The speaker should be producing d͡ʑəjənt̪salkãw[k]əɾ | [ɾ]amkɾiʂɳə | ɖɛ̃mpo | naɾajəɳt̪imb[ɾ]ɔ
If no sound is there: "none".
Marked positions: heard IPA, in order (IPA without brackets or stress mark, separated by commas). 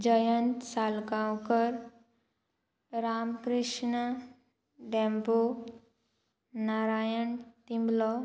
k, ɾ, l